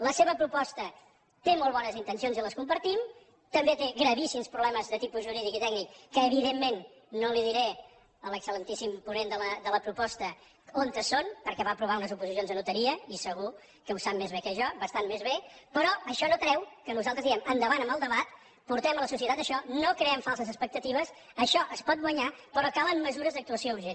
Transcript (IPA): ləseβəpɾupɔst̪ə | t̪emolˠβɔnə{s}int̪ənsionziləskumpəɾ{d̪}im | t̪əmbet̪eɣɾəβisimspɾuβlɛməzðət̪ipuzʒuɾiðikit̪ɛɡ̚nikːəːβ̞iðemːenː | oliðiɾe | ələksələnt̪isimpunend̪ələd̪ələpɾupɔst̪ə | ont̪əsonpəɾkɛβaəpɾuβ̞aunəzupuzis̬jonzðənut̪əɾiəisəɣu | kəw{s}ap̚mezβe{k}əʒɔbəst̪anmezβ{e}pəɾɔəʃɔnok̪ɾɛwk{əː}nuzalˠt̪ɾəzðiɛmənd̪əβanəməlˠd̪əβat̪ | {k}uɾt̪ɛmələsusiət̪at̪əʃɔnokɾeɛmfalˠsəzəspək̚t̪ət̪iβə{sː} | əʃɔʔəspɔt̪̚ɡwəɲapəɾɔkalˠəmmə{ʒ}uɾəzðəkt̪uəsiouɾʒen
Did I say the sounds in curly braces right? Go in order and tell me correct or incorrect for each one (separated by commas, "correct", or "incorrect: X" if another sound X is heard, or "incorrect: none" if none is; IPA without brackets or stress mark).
incorrect: z, incorrect: t̪, correct, correct, correct, incorrect: ə, incorrect: p, incorrect: s, incorrect: z